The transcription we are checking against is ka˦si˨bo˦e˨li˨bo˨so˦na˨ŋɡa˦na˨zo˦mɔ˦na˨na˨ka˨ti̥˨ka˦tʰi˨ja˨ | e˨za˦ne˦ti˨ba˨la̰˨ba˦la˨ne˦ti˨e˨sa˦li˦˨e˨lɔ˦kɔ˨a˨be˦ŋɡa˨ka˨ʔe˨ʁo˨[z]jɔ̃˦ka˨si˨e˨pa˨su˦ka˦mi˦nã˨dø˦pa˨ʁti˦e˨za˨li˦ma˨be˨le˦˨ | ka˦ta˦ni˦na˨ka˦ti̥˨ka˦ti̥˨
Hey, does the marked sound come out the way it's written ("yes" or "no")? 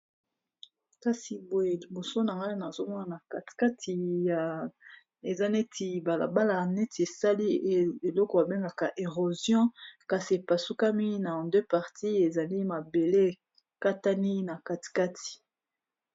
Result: yes